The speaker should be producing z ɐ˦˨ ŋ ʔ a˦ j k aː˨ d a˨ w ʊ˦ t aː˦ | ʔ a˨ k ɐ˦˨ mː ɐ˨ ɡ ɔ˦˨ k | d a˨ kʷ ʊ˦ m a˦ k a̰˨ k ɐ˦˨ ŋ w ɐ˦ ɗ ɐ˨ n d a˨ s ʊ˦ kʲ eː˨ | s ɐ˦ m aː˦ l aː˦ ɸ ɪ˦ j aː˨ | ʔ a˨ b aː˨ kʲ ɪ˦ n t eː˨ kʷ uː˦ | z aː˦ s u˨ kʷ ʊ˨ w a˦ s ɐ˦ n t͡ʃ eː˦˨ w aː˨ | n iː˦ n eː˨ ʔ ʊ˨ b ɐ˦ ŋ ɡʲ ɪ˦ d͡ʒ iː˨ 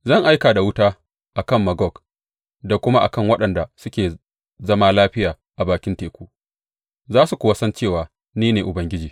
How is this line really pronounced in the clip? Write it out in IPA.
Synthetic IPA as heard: z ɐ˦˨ ŋ ʔ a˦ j k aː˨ d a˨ w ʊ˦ t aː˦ | ʔ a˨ k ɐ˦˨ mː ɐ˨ ɡ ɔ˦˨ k | d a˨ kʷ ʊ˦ m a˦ ʔ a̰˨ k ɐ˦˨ ŋ w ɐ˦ ɗ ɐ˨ n d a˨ s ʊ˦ kʲ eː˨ | z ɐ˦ m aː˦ l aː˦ ɸ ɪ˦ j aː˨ | ʔ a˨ b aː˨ kʲ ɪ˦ n t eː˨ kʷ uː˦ | z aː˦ s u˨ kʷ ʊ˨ w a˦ s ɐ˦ n t͡ʃ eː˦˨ w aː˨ | n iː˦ n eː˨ ʔ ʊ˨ b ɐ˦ ŋ ɡʲ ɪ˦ d͡ʒ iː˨